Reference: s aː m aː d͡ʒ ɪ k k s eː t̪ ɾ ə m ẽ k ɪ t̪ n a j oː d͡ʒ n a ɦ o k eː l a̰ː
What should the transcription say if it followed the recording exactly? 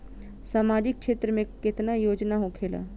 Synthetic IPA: s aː m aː d͡ʒ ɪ k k ʃ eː t̪ ɾ ə m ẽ k ɪ t̪ n a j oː d͡ʒ n a ɦ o kʰ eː l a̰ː